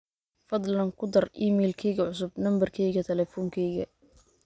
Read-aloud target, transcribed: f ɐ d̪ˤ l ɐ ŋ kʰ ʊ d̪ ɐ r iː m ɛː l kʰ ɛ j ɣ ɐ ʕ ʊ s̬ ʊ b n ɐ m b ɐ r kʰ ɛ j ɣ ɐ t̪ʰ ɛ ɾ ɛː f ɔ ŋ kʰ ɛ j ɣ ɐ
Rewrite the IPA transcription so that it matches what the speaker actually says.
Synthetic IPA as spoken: f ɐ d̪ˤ l ɐ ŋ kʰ ʊ d̪ ɐ r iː m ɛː l kʰ ɛ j ɣ ɐ ʕ ʊ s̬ ʊ b n ɐ m b ɐ r kʰ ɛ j ɣ ɐ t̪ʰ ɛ l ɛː f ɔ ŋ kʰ ɛ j ɣ ɐ

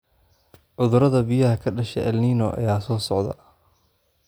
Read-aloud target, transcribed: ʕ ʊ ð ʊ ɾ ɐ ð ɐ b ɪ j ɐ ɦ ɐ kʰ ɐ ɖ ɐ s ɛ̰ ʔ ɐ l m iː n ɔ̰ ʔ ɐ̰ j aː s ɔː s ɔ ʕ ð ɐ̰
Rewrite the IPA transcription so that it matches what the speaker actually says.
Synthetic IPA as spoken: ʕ ʊ ð ʊ ɾ ɐ ð ɐ b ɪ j ɐ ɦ ɐ kʰ ɐ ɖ ɐ ʃ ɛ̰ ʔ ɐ l n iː n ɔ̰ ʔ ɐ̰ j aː s ɔː s ɔ ʕ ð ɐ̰

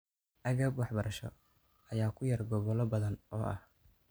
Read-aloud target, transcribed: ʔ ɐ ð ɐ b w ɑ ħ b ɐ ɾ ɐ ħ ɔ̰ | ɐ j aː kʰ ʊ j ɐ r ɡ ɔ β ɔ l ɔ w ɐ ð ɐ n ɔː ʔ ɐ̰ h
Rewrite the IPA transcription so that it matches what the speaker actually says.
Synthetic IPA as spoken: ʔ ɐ ɣ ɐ b w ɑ ħ b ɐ ɾ ɐ ʃ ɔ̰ | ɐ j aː kʰ ʊ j ɐ r ɡ ɔ β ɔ l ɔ b ɐ ð ɐ n ɔː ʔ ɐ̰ h

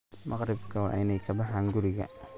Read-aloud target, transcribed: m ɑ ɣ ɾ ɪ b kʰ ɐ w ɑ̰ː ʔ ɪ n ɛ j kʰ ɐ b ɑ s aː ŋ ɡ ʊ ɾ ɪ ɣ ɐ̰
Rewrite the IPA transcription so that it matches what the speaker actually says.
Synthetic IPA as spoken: m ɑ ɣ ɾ ɪ b kʰ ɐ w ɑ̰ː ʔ ɪ n ɛ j kʰ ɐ b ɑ ħ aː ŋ ɡ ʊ ɾ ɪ ɣ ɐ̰

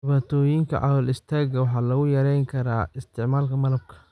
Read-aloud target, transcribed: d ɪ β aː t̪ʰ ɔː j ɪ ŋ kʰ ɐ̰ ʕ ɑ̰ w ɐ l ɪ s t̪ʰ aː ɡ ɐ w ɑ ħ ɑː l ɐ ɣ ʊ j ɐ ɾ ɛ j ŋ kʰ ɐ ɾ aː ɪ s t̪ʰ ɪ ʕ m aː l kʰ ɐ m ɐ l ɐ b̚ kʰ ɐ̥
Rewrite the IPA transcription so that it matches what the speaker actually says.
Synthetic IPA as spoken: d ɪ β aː t̪ʰ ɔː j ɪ ŋ kʰ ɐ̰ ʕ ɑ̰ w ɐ l ɪ s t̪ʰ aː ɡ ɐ w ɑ ħ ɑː l ɐ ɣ ʊ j ɐ ɾ ɛ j ŋ kʰ ɐ ɾ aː ɪ s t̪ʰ ɪ ʕ m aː l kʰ ɐ m ɐ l ɐ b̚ kʰ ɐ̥

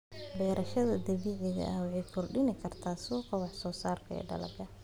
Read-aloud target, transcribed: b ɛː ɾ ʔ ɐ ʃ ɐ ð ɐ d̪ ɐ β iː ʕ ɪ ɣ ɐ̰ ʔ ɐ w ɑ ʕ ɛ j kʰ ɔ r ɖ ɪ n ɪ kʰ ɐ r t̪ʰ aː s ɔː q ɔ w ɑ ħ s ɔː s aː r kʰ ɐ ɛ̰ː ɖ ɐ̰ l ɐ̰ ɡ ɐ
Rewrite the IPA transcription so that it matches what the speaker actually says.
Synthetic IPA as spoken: b ɛː ɾ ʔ ɐ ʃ ɐ ð ɐ d̪ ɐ β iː ʕ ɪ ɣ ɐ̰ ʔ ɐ w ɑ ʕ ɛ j kʰ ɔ r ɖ ɪ n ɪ kʰ ɐ r t̪ʰ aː s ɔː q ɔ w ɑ ħ s ɔː s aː r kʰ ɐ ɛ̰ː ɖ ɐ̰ l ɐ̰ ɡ ɐ

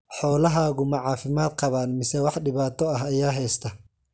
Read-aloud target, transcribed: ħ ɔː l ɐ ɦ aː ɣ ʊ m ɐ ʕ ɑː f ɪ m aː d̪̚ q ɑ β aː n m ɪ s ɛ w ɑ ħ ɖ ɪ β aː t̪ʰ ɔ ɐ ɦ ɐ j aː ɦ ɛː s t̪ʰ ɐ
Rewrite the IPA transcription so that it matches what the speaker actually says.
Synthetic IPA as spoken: ħ ɔː l ɐ ɦ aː ɣ ʊ m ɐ ʕ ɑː f ɪ m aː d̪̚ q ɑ β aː n m ɪ s ɛ w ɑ ħ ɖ ɪ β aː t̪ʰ ɔ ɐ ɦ ɐ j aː ɦ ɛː s t̪ʰ ɐ

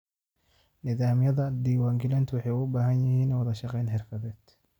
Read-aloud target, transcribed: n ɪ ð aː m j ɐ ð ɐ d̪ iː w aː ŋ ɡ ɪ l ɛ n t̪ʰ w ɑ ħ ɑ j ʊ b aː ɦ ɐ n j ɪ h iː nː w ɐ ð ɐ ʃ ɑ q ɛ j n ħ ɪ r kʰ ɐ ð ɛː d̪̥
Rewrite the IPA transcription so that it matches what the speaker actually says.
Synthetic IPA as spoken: n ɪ ð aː m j ɐ ð ɐ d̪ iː w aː ŋ ɡ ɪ l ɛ n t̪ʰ w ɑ ħ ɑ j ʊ b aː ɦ ɐ n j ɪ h iː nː w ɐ ð ɐ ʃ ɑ q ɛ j n ħ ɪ r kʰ ɐ ð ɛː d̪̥

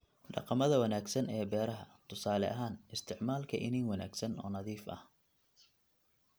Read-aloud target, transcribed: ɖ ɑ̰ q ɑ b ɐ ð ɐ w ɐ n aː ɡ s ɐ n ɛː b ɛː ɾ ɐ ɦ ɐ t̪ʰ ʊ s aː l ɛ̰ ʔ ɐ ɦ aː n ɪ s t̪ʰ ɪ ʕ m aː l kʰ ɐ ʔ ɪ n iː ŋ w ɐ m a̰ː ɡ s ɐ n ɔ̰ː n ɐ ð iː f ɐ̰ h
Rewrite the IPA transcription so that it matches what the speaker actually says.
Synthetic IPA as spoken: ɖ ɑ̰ q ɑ m ɐ ð ɐ w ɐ n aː ɡ s ɐ n ɛː b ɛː ɾ ɐ ɦ ɐ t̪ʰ ʊ s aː l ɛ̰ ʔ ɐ ɦ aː n ɪ s t̪ʰ ɪ ʕ m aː l kʰ ɐ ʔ ɪ n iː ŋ w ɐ n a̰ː ɡ s ɐ n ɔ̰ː n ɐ ð iː f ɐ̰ h

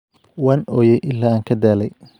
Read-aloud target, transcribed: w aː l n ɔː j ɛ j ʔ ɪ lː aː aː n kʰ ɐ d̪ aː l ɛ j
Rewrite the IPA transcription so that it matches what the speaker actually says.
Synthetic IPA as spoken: w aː n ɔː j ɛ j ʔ ɪ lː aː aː ŋ kʰ ɐ d̪ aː l ɛ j

